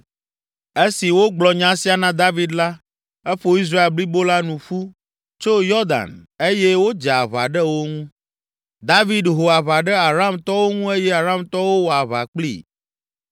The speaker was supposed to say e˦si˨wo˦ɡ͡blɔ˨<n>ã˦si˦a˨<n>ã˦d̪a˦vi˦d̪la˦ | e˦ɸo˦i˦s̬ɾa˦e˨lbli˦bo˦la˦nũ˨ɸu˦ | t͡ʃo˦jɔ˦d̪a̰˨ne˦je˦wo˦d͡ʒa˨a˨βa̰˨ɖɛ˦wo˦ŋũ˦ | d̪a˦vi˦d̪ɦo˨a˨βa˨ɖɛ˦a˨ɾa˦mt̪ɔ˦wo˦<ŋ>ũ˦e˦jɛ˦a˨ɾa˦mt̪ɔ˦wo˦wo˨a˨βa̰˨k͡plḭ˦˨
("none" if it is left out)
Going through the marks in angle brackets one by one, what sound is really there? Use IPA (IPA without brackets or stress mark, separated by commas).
ɲ, n, ŋ